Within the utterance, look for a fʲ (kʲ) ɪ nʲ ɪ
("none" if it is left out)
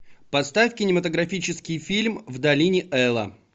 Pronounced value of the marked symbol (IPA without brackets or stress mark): kʲ